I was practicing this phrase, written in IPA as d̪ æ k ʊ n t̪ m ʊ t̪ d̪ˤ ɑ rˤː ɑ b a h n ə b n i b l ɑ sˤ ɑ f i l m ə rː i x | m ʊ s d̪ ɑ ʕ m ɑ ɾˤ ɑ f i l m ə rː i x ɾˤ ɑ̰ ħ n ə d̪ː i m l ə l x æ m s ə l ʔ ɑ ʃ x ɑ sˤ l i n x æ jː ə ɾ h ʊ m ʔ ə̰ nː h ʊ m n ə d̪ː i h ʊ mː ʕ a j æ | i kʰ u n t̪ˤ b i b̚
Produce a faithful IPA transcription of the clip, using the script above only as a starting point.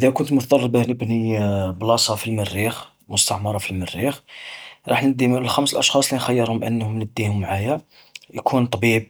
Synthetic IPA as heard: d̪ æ k ʊ n t̪ m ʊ t̪ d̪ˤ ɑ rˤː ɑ b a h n ə b n i b l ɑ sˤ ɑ f i l m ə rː i x | m ʊ s t̪ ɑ ʕ m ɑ ɾˤ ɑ f i l m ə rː i x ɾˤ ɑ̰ ħ n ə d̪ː i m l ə l x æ m s ə l ʔ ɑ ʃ x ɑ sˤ l i n x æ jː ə ɾ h ʊ m ʔ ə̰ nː h ʊ m n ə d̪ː i h ʊ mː ʕ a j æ | j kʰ u n t̪ˤ b i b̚